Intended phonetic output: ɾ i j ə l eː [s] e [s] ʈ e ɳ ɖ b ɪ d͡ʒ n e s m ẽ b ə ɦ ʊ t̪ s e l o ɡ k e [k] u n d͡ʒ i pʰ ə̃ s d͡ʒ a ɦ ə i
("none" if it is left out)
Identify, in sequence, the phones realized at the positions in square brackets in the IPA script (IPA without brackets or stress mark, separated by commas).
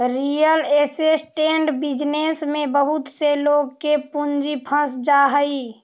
s, s, p